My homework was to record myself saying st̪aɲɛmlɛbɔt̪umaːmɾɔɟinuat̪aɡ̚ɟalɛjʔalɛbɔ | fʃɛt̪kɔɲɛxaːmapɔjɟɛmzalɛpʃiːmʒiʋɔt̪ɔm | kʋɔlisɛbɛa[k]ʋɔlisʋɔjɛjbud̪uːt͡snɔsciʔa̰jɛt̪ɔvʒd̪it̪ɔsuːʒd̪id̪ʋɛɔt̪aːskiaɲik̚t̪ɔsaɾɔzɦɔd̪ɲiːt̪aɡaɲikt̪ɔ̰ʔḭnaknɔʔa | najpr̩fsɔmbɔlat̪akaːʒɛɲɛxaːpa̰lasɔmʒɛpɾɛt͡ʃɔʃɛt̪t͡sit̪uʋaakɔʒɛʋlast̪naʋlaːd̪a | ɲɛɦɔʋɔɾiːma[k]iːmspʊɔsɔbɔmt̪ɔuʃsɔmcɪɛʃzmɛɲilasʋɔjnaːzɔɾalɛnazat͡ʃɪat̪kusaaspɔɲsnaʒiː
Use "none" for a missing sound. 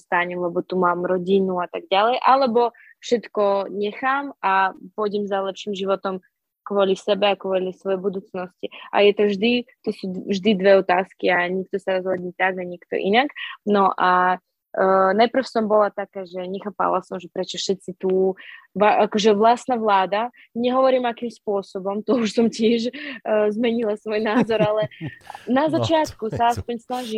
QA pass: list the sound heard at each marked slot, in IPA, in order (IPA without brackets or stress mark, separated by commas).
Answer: k, k